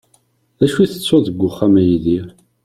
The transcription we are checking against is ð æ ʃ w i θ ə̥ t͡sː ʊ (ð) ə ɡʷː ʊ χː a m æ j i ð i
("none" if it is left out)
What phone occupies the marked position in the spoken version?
ð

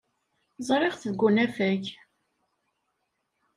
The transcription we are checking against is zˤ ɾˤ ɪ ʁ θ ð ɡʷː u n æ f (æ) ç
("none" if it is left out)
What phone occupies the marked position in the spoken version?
æ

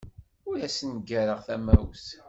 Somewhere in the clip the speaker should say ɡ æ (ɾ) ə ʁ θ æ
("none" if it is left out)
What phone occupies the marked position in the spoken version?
ɾ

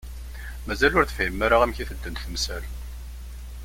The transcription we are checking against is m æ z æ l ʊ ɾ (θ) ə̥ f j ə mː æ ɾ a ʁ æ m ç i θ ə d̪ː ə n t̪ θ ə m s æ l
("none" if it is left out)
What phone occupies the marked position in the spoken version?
θ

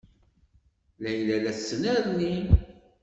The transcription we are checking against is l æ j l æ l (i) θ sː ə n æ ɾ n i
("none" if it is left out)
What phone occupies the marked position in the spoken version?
æ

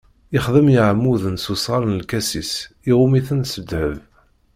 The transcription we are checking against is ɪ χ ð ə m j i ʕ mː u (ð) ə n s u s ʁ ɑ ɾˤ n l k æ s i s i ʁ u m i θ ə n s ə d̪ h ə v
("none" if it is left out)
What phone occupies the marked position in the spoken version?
ð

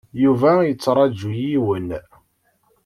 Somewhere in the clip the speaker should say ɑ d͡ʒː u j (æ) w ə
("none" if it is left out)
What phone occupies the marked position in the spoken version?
i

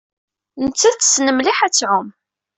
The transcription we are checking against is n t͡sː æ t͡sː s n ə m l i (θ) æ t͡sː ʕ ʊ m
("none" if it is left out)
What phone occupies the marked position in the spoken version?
ħ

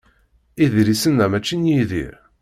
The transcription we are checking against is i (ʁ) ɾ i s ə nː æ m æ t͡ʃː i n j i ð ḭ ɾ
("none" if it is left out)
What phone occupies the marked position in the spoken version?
ð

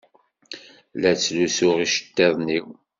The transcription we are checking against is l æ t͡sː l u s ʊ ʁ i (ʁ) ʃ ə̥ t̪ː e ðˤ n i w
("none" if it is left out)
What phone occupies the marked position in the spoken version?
none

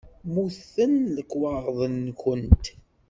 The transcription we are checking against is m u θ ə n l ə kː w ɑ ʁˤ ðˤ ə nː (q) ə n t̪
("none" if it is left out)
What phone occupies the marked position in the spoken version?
k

